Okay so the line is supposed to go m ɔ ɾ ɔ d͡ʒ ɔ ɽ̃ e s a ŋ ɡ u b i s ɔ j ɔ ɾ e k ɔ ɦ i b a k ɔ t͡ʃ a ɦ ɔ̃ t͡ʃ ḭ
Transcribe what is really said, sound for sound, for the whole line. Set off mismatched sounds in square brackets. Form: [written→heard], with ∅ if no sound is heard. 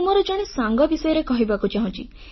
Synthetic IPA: m ɔ ɾ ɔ d͡ʒ ɔ ɽ̃ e s a ŋ ɡ [u→ɔ] b i s ɔ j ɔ ɾ e k ɔ ɦ i b a k [ɔ→u] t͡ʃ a ɦ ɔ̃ t͡ʃ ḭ